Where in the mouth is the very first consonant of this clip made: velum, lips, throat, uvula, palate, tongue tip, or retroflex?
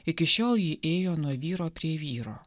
velum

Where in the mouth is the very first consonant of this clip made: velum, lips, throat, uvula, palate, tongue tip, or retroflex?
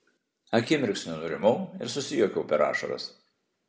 velum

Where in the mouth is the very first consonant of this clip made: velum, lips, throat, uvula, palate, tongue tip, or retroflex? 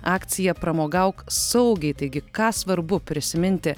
velum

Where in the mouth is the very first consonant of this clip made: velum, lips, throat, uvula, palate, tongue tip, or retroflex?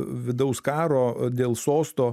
lips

